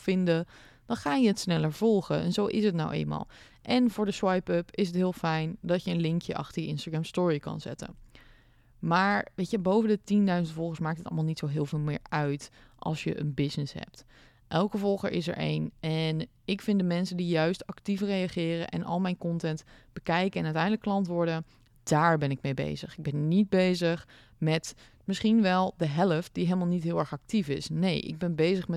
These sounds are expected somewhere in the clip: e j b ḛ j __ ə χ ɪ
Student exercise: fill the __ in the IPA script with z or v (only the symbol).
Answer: z